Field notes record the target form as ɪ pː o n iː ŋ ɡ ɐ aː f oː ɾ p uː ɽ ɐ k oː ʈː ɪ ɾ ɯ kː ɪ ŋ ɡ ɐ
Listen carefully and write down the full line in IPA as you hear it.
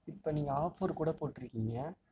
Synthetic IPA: ɪ pː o n iː ŋ ɡ ɐ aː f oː ɾ k uː ɽ ɐ p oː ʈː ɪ ɾ ɯ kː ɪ ŋ ɡ ɐ